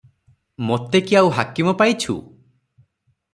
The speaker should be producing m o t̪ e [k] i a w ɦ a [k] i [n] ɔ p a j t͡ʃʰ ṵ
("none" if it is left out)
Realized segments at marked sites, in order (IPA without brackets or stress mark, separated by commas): k, k, m